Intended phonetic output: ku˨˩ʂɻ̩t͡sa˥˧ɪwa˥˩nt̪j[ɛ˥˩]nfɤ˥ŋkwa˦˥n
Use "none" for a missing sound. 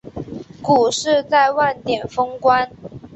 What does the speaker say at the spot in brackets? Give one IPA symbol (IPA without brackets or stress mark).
ɛ˨˩